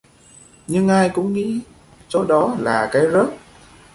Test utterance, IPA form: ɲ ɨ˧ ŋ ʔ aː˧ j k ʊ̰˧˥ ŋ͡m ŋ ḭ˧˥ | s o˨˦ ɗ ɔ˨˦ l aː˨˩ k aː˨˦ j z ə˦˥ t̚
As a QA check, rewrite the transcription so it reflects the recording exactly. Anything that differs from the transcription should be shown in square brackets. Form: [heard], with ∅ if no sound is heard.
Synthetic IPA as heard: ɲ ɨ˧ ŋ ʔ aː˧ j k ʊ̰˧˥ ŋ͡m ŋ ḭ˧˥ | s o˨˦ ɗ ɔ˨˦ l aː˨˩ k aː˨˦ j z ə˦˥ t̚

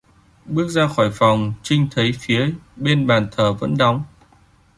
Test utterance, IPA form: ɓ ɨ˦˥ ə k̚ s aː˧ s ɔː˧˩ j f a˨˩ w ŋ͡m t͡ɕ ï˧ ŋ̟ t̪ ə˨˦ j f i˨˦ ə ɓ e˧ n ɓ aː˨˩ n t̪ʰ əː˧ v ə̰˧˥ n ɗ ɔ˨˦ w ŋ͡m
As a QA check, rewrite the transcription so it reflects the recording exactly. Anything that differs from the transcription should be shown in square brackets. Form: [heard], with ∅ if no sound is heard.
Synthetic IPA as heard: ɓ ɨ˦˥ ə k̚ [z] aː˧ [x] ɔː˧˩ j f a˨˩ w ŋ͡m t͡ɕ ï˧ ŋ̟ [t̪ʰ] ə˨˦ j f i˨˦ ə ɓ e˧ n ɓ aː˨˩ n t̪ʰ [əː˨˩] v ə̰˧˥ n ɗ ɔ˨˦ w ŋ͡m

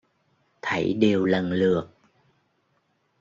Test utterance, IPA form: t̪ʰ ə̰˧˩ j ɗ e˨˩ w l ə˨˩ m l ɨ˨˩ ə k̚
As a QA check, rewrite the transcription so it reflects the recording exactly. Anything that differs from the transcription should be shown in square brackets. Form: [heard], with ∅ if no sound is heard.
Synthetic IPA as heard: t̪ʰ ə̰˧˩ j ɗ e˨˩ w l ə˨˩ [n] l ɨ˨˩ ə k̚

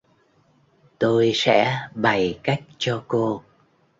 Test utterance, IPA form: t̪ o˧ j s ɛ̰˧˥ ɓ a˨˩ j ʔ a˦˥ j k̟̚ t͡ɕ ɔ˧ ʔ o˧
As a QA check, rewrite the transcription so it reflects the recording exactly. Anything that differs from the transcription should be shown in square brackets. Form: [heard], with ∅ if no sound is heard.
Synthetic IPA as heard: t̪ o˧ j s ɛ̰˧˥ ɓ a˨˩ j [k] a˦˥ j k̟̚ t͡ɕ ɔ˧ [k] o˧

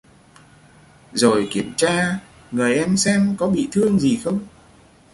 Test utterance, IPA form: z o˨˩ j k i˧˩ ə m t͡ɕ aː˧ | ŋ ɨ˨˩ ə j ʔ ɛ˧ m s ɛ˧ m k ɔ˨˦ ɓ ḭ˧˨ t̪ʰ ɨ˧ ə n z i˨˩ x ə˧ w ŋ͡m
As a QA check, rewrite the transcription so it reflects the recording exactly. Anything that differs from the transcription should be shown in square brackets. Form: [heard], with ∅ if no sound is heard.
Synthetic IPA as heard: z o˨˩ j k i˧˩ ə m t͡ɕ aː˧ | ŋ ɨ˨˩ ə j ʔ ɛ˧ m s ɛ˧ m k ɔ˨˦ ɓ ḭ˧˨ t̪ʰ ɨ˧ ə [ŋ] z i˨˩ x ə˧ w ŋ͡m

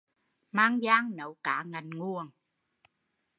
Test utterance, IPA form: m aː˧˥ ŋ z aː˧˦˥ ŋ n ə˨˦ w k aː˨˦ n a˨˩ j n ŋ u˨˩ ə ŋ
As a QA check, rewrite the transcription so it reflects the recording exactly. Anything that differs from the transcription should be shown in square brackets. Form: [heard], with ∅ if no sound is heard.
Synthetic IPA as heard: m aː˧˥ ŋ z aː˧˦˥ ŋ n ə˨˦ w k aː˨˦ [ŋ] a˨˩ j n ŋ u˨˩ ə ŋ

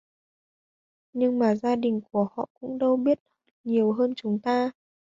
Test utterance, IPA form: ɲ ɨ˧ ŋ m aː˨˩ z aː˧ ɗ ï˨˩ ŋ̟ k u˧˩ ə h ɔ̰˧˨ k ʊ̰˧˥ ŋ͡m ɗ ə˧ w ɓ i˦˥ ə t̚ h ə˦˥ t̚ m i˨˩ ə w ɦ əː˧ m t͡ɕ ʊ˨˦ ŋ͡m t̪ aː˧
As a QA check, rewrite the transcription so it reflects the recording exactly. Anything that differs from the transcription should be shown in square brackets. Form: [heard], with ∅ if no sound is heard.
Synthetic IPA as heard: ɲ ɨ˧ ŋ m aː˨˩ z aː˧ ɗ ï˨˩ ŋ̟ k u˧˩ ə h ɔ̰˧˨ k ʊ̰˧˥ ŋ͡m ɗ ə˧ w ɓ i˦˥ ə t̚ h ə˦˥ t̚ [ɲ] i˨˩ ə w ɦ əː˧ [n] t͡ɕ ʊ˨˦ ŋ͡m t̪ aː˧

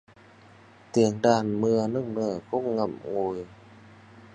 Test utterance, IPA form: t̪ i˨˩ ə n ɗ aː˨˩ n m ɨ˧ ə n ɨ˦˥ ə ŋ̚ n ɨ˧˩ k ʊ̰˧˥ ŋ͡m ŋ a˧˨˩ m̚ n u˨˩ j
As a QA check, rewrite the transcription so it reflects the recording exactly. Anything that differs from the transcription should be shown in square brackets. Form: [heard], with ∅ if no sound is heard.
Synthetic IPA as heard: t̪ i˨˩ ə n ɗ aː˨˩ n m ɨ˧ ə n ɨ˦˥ ə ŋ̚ n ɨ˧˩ k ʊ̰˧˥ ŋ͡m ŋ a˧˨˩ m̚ [ŋ] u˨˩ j

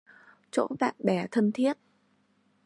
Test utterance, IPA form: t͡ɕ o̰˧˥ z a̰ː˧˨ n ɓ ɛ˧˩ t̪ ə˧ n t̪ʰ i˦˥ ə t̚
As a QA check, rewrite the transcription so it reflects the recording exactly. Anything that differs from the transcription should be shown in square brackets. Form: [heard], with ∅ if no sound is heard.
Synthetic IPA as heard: t͡ɕ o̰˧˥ [v] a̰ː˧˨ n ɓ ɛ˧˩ [t̪ʰ] ə˧ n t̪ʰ i˦˥ ə t̚

